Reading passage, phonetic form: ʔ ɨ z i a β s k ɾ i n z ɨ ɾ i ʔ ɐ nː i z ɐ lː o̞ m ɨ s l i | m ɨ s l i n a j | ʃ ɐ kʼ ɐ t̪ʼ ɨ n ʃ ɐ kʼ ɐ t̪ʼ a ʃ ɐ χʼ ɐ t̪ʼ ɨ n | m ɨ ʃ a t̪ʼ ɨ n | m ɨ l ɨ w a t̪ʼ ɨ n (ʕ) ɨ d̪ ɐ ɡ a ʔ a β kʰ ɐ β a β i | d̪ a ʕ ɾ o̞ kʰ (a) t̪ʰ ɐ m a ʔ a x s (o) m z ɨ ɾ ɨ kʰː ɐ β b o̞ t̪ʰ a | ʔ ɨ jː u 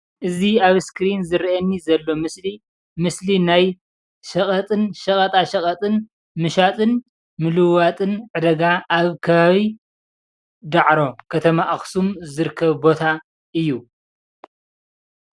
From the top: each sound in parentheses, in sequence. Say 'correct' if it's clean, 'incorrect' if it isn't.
correct, incorrect, incorrect

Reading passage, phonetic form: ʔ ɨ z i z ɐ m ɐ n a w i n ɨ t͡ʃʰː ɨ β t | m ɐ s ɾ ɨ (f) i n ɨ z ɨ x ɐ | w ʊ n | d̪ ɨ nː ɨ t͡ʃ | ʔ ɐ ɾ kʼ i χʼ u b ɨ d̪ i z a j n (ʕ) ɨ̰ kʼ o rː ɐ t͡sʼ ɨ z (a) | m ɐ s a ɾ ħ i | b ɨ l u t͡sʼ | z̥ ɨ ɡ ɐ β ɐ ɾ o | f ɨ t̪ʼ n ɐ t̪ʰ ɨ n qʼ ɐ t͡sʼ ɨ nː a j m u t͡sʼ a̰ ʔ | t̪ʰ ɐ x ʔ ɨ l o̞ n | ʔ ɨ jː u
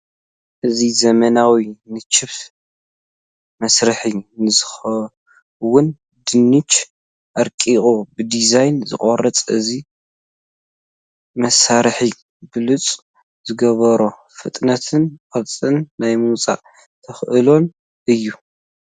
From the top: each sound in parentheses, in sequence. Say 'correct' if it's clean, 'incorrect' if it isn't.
incorrect, incorrect, incorrect

